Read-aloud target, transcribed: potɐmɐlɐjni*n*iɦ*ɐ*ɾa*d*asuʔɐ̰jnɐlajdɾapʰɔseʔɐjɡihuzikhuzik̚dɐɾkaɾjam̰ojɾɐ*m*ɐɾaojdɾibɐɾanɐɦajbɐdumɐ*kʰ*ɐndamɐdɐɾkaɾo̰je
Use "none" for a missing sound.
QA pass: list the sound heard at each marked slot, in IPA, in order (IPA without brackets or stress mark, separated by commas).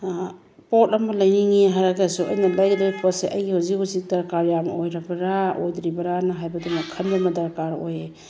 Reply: ŋ, a, ɡ, b, kʰ